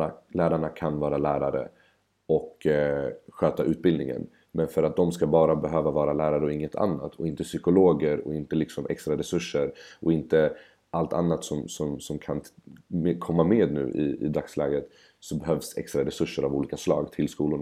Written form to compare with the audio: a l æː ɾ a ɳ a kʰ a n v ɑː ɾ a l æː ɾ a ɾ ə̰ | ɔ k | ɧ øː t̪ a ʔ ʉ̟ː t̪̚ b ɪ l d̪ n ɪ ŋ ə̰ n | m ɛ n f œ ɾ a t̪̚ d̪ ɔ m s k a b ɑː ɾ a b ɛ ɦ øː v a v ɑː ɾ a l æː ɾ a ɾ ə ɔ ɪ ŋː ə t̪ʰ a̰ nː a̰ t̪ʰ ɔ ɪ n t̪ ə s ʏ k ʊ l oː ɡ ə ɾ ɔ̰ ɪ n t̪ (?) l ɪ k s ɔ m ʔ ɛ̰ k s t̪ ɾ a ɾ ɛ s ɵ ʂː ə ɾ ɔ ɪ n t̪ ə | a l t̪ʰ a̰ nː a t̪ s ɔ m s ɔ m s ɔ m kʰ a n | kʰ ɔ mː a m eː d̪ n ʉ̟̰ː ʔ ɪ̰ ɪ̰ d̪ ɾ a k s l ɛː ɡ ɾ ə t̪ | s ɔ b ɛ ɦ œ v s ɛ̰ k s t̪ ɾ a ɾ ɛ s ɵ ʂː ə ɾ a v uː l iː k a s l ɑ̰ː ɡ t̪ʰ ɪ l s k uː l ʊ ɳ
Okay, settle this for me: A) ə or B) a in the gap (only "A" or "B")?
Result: A